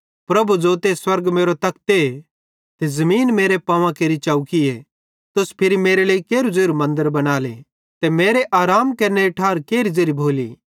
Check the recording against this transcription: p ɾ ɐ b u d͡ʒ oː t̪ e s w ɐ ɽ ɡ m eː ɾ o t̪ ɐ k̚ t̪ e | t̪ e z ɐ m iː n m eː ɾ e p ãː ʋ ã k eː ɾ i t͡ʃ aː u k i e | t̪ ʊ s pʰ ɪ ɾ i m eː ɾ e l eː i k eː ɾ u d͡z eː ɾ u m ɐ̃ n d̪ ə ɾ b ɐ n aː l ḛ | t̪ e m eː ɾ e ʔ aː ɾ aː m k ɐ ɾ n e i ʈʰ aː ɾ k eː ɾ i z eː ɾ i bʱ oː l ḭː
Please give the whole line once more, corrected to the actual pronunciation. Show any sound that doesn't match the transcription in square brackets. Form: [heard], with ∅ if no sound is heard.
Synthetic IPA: p ɾ ɐ b u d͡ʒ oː t̪ e s w ɐ [ɾ] ɡ m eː ɾ o t̪ ɐ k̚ t̪ e | t̪ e z ɐ m iː n m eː ɾ e p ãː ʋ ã k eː ɾ i t͡ʃ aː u k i e | t̪ ʊ s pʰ ɪ ɾ i m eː ɾ e l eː i k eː ɾ u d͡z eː ɾ u m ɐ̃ n d̪ ə ɾ b ɐ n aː l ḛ | t̪ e m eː ɾ e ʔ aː ɾ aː m k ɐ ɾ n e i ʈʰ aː ɾ k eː ɾ i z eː ɾ i bʱ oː l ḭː